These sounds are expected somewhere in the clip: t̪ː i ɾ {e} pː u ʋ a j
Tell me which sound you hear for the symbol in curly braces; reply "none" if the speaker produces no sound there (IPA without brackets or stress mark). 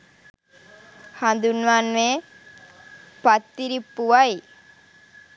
i